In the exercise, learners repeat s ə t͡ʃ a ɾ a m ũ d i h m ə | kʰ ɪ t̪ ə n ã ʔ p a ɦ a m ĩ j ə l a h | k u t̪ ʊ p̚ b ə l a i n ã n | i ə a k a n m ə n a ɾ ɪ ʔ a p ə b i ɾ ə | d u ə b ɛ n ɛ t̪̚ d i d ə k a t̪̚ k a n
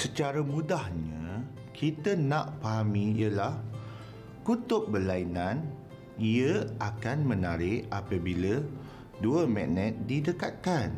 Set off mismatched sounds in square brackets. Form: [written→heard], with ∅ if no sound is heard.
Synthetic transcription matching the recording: s ə t͡ʃ a ɾ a m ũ d [i→a] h [m→ɲ] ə | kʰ [ɪ→i] t̪ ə n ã ʔ p a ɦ a m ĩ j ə l a h | k u t̪ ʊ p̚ b ə l a i n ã n | i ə a k a n m ə n a ɾ ɪ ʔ a p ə b i [ɾ→l] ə | d u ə [b→m] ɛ n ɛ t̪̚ d i d ə k a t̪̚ k a n